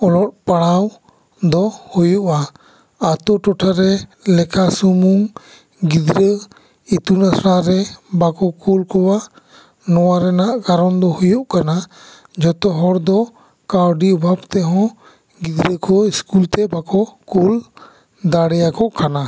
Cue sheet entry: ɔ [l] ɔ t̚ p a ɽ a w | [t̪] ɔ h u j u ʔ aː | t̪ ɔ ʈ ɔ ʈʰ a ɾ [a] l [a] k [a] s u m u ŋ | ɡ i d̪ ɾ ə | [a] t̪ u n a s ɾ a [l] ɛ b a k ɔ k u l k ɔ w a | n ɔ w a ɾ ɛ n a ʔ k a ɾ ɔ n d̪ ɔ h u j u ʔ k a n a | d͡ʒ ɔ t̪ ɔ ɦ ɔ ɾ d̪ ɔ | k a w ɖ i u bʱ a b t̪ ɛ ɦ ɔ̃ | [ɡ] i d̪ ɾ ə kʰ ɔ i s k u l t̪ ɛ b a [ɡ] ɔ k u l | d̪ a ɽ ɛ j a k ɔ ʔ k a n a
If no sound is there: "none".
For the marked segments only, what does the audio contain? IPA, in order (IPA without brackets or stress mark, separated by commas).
l, d̪, ɛ, ɛ, a, i, ɾ, ɡ, k